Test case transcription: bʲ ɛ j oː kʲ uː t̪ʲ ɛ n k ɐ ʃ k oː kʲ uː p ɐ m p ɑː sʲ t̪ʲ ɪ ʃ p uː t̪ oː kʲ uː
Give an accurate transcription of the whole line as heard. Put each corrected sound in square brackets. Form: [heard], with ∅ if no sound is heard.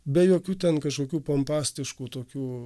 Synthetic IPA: bʲ ɛ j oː kʲ uː t̪ʲ ɛ n k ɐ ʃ k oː kʲ uː p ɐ m p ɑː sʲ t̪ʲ ɪ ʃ [k] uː t̪ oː kʲ uː

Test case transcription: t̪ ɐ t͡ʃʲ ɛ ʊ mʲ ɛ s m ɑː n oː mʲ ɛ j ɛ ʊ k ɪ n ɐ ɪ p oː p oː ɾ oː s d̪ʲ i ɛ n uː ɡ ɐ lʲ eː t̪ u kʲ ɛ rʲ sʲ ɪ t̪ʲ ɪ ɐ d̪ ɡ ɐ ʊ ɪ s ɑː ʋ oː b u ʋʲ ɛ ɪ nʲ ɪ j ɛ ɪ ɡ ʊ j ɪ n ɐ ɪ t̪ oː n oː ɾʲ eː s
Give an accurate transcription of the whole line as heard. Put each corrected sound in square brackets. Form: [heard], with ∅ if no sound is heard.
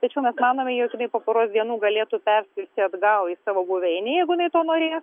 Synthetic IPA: t̪ ɐ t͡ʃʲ ɛ ʊ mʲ ɛ s m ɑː n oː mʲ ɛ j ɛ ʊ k ɪ n ɐ ɪ p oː p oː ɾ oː s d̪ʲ i ɛ n uː ɡ ɐ lʲ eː t̪ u [pʲ] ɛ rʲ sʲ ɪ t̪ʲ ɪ ɐ d̪ ɡ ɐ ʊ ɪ s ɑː ʋ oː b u ʋʲ ɛ ɪ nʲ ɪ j ɛ ɪ ɡ ʊ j ɪ n ɐ ɪ t̪ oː n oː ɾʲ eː s

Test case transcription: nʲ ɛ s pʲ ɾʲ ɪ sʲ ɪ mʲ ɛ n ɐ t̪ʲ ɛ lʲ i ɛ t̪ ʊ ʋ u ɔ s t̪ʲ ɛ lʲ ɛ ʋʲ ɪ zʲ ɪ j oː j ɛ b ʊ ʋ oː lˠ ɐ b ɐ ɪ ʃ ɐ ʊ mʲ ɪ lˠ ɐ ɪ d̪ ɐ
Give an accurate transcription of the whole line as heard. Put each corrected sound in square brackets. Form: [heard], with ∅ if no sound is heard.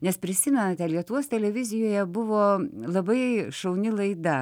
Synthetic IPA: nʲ ɛ s pʲ ɾʲ ɪ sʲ ɪ mʲ ɛ n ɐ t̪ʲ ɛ lʲ i ɛ t̪ ʊ ʋ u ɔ s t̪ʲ ɛ lʲ ɛ ʋʲ ɪ zʲ ɪ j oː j ɛ b ʊ ʋ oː lˠ ɐ b ɐ ɪ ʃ ɐ ʊ [nʲ] ɪ lˠ ɐ ɪ d̪ ɐ

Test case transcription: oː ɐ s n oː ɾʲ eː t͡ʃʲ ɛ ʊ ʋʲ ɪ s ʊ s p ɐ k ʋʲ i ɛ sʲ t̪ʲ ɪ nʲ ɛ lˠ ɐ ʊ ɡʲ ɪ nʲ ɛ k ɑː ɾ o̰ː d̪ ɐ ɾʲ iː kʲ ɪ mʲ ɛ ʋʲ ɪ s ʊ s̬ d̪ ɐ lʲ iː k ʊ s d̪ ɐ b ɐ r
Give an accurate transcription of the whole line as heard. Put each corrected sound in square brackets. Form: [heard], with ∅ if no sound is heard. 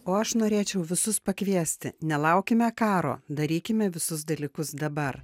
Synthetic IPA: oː ɐ [ʃ] n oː ɾʲ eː t͡ʃʲ ɛ ʊ ʋʲ ɪ s ʊ s p ɐ k ʋʲ i ɛ sʲ t̪ʲ ɪ nʲ ɛ lˠ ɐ ʊ [kʲ] ɪ [mʲ] ɛ k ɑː ɾ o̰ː d̪ ɐ ɾʲ iː kʲ ɪ mʲ ɛ ʋʲ ɪ s ʊ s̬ d̪ ɐ lʲ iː k ʊ s d̪ ɐ b ɐ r

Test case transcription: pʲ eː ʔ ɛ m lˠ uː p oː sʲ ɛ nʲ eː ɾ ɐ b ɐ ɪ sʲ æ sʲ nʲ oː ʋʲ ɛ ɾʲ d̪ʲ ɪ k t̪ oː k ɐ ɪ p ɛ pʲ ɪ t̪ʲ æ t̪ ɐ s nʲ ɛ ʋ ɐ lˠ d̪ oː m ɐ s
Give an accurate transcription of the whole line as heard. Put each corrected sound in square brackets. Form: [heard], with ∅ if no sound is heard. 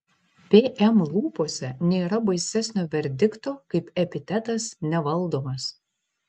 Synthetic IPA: pʲ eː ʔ ɛ m lˠ uː p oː sʲ ɛ nʲ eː ɾ ɐ b ɐ ɪ sʲ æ sʲ nʲ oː ʋʲ ɛ ɾʲ d̪ʲ ɪ k t̪ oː k ɐ ɪ p ɛ pʲ ɪ t̪ʲ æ t̪ ɐ s nʲ ɛ ʋ ɐ lˠ d̪ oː m ɐ s

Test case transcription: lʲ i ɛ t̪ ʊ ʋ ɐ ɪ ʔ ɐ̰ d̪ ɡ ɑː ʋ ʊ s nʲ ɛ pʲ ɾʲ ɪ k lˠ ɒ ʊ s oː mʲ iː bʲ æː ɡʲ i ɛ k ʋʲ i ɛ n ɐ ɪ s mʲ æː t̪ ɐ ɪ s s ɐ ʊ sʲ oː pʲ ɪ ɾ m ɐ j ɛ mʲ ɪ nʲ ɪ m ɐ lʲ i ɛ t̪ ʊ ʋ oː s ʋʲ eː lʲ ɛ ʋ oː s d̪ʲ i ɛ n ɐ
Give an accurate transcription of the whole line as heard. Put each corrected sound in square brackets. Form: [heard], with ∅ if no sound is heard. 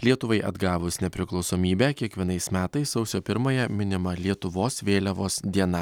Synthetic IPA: lʲ i ɛ t̪ ʊ ʋ ɐ ɪ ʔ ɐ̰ d̪ ɡ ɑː ʋ ʊ s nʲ ɛ pʲ ɾʲ ɪ k lˠ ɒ ʊ s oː mʲ iː bʲ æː [kʲ] i ɛ k ʋʲ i ɛ n ɐ ɪ s mʲ æː t̪ ɐ ɪ s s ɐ ʊ sʲ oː pʲ ɪ ɾ m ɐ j ɛ mʲ ɪ nʲ ɪ m ɐ lʲ i ɛ t̪ ʊ ʋ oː s ʋʲ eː lʲ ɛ ʋ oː s d̪ʲ i ɛ n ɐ

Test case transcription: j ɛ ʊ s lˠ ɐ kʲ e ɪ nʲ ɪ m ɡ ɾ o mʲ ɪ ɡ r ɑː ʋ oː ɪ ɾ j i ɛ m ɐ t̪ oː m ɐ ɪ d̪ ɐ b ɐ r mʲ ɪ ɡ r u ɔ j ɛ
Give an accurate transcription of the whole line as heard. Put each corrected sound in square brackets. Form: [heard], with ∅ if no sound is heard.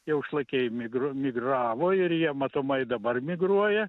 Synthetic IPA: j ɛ ʊ [ʃ] lˠ ɐ kʲ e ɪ [mʲ] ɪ [∅] ɡ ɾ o mʲ ɪ ɡ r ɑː ʋ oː ɪ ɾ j i ɛ m ɐ t̪ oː m ɐ ɪ d̪ ɐ b ɐ r mʲ ɪ ɡ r u ɔ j ɛ

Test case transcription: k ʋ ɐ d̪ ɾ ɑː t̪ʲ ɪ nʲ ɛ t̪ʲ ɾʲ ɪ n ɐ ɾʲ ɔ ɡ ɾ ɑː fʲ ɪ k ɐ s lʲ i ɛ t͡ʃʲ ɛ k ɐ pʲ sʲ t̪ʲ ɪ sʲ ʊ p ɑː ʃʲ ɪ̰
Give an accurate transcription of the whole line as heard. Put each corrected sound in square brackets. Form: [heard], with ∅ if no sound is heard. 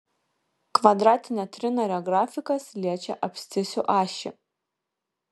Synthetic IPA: k ʋ ɐ d̪ ɾ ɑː t̪ʲ ɪ nʲ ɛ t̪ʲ ɾʲ ɪ n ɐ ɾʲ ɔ ɡ ɾ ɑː fʲ ɪ k ɐ s lʲ i ɛ t͡ʃʲ ɛ [ʔ] ɐ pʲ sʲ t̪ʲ ɪ sʲ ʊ [ʔ] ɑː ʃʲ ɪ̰

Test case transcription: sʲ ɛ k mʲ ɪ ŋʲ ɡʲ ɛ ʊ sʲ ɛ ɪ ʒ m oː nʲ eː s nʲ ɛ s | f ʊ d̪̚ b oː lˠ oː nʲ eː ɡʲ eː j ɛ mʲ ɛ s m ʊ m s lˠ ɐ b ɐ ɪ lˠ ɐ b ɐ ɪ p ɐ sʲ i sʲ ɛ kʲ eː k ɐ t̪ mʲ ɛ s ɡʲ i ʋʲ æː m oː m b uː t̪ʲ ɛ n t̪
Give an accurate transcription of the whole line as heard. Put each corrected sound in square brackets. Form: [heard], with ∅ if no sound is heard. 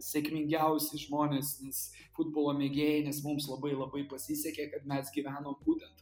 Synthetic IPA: sʲ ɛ k mʲ ɪ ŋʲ ɡʲ ɛ ʊ sʲ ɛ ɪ ʒ m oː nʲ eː s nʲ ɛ s | f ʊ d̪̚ b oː lˠ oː [mʲ] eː ɡʲ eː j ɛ [nʲ] ɛ s m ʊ m s lˠ ɐ b ɐ ɪ lˠ ɐ b ɐ ɪ p ɐ sʲ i sʲ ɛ kʲ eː k ɐ t̪ mʲ ɛ s ɡʲ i ʋʲ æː [n] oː m b uː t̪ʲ ɛ n t̪

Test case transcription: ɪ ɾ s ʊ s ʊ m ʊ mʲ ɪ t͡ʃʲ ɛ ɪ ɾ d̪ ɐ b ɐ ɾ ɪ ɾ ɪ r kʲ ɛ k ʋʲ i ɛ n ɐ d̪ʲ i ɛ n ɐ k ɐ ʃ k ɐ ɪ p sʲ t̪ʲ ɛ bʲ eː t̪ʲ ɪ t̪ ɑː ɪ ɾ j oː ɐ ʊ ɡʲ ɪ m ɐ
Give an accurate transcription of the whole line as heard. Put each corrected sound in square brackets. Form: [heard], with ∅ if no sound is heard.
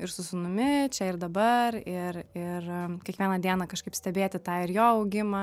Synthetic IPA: ɪ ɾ s ʊ s ʊ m ʊ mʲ ɪ t͡ʃʲ ɛ ɪ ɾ d̪ ɐ b ɐ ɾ ɪ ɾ ɪ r kʲ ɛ k ʋʲ i ɛ n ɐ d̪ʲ i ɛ n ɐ k ɐ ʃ k ɐ ɪ p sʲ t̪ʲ ɛ bʲ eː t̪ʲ ɪ t̪ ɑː ɪ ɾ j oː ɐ ʊ ɡʲ ɪ m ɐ

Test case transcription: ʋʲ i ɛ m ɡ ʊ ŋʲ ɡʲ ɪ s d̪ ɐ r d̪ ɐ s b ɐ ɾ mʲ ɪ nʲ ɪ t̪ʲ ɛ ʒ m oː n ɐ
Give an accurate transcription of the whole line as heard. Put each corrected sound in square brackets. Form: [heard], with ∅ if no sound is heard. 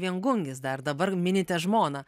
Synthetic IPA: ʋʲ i ɛ [ŋ] ɡ ʊ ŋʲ ɡʲ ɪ s d̪ ɐ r d̪ ɐ [∅] b ɐ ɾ mʲ ɪ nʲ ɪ t̪ʲ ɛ ʒ m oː n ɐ

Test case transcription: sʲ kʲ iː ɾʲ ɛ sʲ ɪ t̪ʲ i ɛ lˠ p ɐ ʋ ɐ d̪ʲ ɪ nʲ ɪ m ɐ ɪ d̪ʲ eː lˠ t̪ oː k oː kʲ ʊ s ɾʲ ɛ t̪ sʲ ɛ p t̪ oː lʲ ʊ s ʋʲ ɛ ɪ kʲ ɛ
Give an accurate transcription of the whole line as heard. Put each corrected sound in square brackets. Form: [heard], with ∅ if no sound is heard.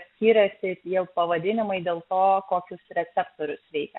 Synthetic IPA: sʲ kʲ iː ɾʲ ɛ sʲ ɪ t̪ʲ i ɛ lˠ p ɐ ʋ ɐ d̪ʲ ɪ nʲ ɪ m ɐ ɪ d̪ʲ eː lˠ t̪ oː k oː kʲ ʊ s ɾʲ ɛ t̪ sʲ ɛ p t̪ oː [ɾʲ] ʊ s ʋʲ ɛ ɪ kʲ ɛ

